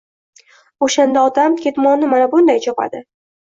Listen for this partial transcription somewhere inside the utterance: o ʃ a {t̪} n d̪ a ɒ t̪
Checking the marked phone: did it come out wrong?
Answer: yes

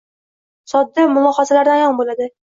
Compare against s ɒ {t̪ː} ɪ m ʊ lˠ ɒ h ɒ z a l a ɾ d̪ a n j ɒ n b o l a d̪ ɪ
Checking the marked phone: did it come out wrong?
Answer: yes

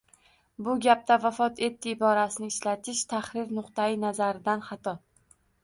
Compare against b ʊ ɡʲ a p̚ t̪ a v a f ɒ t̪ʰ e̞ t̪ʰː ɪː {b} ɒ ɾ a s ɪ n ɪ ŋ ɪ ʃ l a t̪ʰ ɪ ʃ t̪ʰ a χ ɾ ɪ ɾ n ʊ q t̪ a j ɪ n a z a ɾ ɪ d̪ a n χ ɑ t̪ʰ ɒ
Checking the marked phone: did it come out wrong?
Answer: no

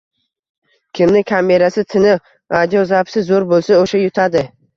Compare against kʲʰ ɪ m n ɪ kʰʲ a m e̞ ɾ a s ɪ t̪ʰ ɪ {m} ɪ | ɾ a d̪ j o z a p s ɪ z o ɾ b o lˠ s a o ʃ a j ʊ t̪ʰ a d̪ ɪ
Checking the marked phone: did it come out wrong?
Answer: yes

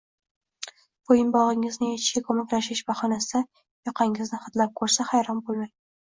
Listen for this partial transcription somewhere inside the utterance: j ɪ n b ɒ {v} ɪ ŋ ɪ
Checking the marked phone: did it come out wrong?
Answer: yes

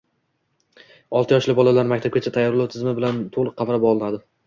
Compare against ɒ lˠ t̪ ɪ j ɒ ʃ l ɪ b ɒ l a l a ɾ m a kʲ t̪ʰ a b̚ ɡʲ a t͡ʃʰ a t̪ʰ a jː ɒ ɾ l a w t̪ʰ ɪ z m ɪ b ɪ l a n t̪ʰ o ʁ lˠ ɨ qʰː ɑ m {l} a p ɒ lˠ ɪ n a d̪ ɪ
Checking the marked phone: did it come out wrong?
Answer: yes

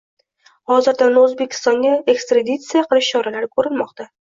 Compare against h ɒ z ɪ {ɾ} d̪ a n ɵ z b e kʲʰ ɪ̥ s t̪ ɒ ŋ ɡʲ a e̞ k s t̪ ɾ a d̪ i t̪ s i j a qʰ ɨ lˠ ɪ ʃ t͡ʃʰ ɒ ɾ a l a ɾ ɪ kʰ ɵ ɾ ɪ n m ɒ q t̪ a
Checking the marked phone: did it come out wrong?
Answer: no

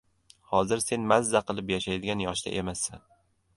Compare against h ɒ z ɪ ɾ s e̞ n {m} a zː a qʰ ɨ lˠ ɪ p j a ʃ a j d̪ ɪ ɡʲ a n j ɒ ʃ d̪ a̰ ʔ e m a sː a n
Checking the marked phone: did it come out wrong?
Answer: no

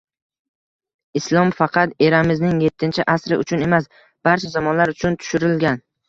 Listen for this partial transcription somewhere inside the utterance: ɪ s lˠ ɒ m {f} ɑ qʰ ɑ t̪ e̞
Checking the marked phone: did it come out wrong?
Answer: no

